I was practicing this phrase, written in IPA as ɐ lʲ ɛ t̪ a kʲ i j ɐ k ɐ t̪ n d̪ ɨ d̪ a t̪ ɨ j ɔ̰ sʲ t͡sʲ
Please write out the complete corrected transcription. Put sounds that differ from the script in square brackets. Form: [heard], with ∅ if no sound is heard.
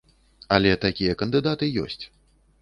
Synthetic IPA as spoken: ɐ lʲ ɛ t̪ a kʲ i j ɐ k ɐ [∅] n d̪ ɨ d̪ a t̪ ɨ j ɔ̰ sʲ t͡sʲ